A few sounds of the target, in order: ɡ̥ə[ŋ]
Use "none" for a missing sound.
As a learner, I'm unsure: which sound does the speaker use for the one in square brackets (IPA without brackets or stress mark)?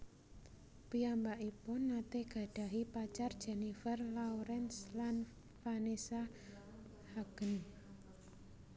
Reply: n